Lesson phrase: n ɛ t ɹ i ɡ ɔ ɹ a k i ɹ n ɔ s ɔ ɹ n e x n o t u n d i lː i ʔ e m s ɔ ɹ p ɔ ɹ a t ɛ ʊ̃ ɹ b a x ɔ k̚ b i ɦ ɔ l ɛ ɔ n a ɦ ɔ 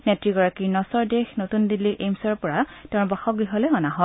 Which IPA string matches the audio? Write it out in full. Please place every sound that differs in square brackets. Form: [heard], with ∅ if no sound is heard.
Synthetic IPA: n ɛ t ɹ i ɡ ɔ ɹ a k i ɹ n ɔ s ɔ ɹ [d] e x n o t u n d i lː i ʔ e m s ɔ ɹ p ɔ ɹ a t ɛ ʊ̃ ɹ b a x ɔ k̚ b i ɦ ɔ l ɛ ɔ n a ɦ ɔ